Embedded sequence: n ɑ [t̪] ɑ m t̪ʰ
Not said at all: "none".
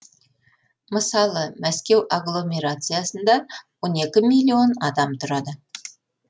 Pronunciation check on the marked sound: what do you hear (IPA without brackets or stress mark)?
d̪